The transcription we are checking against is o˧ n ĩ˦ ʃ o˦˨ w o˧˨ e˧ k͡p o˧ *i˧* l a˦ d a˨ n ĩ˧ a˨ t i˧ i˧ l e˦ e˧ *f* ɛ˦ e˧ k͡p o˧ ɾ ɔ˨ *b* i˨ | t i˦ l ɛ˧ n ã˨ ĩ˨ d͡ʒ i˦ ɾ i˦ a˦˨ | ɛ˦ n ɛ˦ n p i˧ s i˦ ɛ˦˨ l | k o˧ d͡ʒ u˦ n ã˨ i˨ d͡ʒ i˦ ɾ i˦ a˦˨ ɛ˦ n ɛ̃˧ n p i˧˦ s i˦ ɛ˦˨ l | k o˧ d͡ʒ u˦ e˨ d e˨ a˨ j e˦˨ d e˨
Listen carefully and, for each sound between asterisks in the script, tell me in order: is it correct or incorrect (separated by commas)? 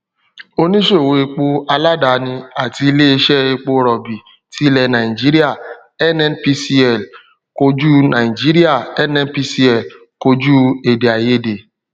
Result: incorrect, incorrect, correct